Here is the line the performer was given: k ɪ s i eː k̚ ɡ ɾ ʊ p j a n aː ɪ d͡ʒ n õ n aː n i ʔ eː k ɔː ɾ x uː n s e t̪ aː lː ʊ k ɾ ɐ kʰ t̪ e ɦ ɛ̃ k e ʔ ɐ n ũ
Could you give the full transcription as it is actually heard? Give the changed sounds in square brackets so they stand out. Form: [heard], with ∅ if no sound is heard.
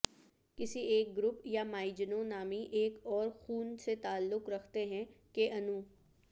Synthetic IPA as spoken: k ɪ s i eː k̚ ɡ ɾ ʊ p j a [m] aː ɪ d͡ʒ n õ n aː [m] i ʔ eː k ɔː ɾ x uː n s e t̪ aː lː ʊ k ɾ ɐ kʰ t̪ e ɦ ɛ̃ k e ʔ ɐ n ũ